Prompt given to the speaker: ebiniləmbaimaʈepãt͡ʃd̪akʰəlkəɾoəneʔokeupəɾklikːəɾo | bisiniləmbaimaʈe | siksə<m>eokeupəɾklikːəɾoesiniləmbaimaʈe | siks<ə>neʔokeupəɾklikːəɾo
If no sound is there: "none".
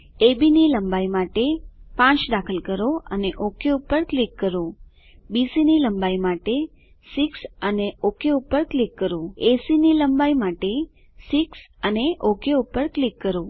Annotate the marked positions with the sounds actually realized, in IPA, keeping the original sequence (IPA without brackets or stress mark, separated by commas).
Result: n, ə